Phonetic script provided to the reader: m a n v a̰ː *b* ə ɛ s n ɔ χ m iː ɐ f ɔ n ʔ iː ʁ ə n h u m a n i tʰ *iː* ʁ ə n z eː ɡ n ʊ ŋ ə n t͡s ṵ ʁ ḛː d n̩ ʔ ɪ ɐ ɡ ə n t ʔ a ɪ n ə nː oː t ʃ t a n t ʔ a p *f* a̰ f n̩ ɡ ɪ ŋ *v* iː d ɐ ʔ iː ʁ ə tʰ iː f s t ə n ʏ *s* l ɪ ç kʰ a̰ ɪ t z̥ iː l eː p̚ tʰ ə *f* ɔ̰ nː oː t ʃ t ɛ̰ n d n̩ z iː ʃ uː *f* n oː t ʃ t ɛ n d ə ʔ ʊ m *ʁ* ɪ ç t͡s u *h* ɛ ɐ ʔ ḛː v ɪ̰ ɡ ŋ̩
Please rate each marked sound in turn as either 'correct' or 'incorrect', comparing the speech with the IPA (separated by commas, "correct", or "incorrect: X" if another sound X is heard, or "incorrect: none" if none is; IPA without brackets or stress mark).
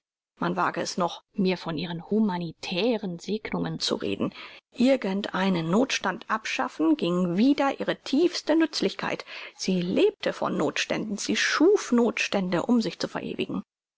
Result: incorrect: ɡ, incorrect: ɛː, incorrect: ʃ, correct, incorrect: t͡s, correct, correct, incorrect: z, incorrect: f